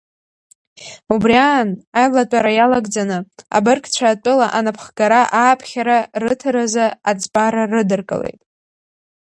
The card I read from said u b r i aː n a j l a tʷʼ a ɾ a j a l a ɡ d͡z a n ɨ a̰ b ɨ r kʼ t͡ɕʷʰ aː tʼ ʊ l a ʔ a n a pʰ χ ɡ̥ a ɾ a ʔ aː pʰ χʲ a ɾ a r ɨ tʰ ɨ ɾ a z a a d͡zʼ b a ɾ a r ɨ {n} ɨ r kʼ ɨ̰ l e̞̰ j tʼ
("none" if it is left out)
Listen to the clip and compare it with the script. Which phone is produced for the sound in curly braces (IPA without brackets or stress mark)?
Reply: d